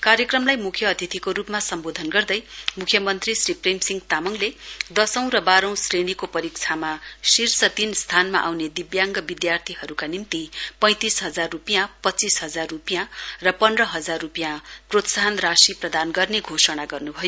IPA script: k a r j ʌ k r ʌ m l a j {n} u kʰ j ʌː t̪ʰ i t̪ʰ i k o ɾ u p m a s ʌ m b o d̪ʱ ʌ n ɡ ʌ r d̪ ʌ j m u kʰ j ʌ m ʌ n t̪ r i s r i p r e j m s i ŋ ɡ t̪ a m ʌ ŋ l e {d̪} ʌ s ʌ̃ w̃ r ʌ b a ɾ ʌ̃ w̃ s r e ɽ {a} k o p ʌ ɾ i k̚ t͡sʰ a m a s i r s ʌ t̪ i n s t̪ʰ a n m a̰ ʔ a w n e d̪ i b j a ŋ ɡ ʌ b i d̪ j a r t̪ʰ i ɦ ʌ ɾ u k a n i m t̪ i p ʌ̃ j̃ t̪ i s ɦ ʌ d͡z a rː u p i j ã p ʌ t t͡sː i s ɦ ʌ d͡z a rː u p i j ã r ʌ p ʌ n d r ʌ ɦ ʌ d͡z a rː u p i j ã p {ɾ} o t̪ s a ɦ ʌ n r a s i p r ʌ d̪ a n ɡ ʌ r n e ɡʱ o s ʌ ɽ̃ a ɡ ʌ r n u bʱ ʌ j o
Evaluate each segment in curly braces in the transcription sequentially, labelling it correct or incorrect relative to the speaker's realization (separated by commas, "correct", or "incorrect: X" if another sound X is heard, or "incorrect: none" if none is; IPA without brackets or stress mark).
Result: incorrect: m, correct, incorrect: i, incorrect: r